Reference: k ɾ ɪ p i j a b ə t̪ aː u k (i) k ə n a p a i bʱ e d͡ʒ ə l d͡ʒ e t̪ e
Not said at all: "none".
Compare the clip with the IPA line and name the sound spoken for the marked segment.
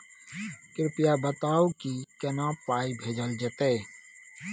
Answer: i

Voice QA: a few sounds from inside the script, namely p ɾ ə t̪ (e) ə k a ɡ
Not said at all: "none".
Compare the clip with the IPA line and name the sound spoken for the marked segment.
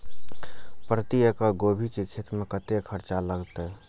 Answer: i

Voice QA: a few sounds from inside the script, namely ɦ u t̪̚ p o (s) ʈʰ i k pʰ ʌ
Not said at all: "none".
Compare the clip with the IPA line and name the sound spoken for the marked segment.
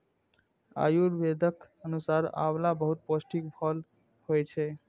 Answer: s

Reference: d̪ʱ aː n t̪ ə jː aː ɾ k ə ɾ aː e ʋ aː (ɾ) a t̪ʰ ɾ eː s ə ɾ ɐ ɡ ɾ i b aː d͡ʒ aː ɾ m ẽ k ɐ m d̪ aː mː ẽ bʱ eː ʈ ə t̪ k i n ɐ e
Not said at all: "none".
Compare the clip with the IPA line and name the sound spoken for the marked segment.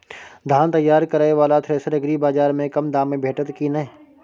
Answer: l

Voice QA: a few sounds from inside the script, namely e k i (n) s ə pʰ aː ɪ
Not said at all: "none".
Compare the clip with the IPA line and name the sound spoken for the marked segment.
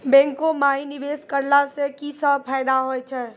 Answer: none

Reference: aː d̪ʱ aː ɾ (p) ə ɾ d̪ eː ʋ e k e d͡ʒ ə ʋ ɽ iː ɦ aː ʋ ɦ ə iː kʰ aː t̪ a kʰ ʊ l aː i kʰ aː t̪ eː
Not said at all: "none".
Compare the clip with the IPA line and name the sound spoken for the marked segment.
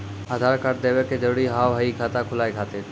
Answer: k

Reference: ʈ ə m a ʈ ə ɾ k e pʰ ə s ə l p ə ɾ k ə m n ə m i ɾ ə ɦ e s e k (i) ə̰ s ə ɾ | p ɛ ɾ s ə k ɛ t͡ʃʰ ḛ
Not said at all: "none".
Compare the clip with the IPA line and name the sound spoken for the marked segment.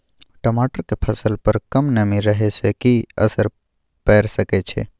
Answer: i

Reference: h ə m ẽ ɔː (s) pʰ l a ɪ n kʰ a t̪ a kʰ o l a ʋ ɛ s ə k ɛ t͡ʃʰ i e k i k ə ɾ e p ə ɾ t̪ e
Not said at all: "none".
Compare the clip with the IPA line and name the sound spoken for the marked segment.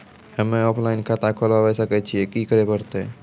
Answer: none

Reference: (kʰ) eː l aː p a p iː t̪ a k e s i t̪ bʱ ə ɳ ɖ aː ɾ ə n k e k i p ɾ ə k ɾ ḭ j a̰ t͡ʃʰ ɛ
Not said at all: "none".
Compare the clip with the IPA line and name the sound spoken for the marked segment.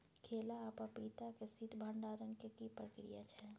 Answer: kʰ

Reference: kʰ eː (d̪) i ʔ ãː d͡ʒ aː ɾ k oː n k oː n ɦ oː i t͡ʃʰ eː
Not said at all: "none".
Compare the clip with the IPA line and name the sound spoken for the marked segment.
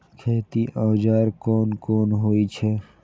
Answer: t̪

